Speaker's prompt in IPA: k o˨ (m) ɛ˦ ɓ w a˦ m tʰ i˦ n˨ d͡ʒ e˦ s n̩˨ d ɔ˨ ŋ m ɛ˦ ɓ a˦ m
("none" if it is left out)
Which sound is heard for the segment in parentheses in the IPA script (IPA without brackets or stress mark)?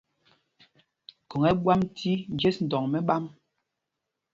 ŋ